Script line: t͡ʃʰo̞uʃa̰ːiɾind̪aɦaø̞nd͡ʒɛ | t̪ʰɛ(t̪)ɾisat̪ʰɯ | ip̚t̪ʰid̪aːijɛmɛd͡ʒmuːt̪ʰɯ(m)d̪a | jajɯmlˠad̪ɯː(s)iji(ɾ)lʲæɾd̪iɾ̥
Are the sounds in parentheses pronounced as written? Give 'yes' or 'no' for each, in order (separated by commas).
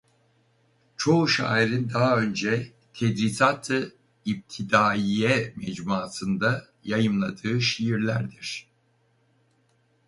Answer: no, no, no, yes